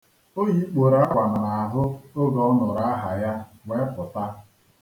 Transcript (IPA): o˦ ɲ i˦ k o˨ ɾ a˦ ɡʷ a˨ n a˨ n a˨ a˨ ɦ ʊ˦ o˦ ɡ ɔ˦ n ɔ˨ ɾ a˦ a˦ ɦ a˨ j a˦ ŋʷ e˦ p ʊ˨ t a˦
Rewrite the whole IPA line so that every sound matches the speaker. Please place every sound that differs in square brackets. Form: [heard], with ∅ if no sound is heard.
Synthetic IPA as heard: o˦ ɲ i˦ [k͡p] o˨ ɾ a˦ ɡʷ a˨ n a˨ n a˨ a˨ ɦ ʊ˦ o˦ ɡ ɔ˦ n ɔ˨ ɾ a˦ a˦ ɦ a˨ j a˦ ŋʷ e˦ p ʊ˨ t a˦